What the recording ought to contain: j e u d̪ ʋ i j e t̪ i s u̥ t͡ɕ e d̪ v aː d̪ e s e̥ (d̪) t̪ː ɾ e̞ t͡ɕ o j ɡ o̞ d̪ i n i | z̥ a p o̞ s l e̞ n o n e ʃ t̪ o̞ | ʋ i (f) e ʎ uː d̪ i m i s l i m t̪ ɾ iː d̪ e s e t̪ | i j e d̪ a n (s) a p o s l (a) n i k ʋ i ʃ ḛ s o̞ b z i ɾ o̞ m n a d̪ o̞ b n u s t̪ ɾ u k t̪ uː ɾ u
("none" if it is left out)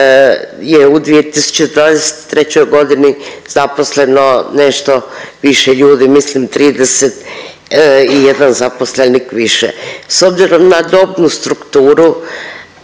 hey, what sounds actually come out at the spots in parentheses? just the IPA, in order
t̪, ʃ, z, e

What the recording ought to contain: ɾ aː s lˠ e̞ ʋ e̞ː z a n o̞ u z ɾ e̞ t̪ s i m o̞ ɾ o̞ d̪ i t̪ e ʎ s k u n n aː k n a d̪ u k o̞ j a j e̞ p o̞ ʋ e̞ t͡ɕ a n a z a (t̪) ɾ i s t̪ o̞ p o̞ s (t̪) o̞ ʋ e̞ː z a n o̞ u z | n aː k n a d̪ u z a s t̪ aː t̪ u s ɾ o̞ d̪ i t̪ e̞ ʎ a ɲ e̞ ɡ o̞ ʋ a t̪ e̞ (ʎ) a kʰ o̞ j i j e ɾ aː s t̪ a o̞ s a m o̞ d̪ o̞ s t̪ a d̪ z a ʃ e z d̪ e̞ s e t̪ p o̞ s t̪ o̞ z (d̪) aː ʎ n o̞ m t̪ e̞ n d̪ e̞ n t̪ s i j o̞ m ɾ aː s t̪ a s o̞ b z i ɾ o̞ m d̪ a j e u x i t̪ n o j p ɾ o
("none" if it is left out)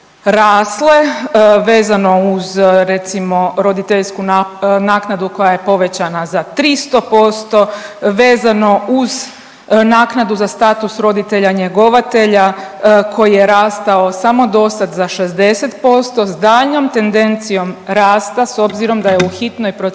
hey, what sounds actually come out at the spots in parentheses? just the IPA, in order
t̪, t̪, ʎ, d̪

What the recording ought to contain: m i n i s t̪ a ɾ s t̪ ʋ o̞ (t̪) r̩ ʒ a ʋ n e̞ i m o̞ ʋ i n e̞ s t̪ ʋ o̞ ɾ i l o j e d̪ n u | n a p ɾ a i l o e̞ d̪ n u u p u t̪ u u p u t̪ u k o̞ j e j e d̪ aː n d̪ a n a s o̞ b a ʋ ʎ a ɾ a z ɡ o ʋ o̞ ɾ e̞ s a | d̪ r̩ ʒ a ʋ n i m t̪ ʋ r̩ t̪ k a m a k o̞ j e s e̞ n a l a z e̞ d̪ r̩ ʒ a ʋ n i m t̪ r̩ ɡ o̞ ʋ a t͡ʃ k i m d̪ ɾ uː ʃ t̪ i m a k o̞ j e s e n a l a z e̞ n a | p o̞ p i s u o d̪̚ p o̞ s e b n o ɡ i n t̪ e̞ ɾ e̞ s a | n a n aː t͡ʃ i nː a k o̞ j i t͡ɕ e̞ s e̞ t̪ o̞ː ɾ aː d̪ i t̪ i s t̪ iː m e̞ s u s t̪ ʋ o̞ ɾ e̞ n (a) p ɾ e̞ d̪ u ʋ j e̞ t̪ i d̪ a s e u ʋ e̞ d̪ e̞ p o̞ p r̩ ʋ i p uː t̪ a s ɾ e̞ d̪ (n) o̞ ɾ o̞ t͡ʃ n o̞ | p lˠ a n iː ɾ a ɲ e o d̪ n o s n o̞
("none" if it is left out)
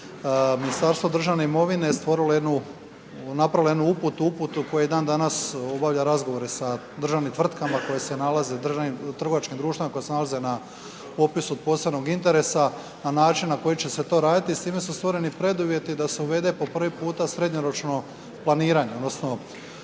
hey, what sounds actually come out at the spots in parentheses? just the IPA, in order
d̪, i, ɲ

